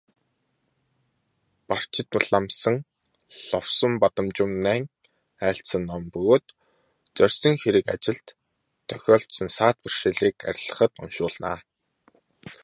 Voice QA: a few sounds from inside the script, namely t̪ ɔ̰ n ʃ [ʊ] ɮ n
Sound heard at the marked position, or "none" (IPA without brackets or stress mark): ʊː